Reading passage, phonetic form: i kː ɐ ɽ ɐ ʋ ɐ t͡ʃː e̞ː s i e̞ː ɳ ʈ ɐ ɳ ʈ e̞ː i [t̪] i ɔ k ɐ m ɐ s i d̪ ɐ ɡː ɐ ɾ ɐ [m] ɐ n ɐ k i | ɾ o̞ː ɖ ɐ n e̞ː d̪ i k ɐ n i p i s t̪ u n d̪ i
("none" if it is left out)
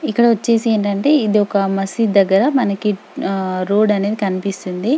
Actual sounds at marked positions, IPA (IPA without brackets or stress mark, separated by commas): d̪, m